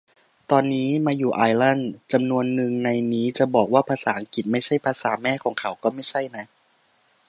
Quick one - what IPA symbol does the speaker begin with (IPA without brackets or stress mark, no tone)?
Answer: t̪